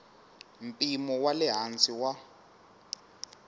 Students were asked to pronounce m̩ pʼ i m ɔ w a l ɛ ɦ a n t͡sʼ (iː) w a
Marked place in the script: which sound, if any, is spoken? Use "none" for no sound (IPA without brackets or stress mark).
i